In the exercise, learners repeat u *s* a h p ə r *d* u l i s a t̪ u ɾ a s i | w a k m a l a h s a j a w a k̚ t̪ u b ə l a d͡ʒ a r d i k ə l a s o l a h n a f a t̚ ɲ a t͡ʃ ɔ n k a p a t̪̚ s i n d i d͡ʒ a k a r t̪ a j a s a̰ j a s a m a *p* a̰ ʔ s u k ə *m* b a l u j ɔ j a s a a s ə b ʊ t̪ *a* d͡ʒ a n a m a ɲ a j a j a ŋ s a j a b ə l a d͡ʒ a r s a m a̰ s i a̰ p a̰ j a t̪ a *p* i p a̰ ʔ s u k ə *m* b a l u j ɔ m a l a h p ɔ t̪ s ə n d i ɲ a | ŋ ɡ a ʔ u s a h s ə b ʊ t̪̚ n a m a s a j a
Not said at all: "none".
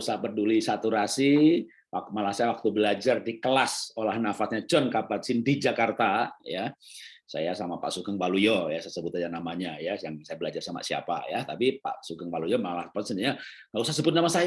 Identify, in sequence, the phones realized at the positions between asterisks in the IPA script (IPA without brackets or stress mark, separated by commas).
s, d, p, ŋ, a, p, ŋ